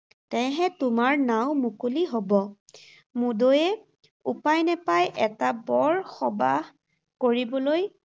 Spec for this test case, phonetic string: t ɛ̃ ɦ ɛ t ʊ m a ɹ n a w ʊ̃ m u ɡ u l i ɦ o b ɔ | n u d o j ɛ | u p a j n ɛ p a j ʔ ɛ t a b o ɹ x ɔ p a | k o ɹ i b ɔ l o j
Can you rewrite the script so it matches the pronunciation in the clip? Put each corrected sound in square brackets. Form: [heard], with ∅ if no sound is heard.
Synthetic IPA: t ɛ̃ ɦ ɛ t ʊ m a ɹ n a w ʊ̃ m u [k] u l i ɦ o b ɔ | [m] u d o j ɛ | u p a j n ɛ p a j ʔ ɛ t a b [ɔ] ɹ x ɔ [b] a | k o ɹ i b ɔ l o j